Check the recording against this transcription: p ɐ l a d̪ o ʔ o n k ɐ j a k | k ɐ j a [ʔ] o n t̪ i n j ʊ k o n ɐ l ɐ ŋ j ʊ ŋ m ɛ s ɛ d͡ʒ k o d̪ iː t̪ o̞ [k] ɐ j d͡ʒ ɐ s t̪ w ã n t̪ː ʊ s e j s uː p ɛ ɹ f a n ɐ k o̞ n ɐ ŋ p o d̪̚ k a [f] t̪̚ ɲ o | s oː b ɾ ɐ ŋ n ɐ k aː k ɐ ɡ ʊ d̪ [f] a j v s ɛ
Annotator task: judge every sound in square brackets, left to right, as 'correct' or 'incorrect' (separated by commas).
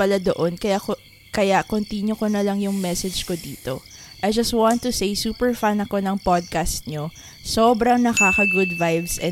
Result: incorrect, incorrect, incorrect, incorrect